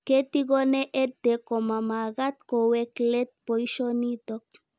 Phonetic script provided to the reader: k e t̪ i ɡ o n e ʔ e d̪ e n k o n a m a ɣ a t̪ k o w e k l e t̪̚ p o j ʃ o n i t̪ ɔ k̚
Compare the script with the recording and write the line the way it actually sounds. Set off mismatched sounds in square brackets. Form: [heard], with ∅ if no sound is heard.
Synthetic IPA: k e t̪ i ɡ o n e ʔ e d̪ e [∅] k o [m] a m a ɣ a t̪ k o w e k l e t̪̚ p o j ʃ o n i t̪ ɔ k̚